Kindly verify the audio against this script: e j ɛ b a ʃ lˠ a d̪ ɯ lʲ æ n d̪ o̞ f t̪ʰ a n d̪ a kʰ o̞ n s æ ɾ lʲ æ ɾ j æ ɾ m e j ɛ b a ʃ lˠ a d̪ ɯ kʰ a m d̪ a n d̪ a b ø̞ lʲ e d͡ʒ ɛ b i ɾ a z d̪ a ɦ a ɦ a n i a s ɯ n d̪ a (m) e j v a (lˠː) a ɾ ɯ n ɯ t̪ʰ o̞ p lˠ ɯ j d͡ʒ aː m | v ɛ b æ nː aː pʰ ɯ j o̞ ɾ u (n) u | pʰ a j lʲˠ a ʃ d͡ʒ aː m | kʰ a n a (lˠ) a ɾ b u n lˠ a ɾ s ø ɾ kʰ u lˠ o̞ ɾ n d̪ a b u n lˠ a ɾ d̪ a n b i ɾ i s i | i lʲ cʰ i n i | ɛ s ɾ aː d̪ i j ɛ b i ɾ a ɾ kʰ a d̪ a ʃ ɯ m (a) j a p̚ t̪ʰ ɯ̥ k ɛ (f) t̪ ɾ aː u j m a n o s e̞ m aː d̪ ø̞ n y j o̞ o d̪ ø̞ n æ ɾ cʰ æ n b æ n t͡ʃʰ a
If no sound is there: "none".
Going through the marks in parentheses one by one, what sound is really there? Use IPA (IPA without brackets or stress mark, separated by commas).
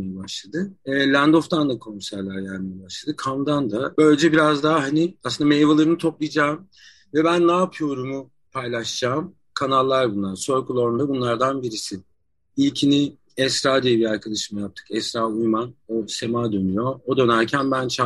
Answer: m, lˠ, m, lˠː, a, s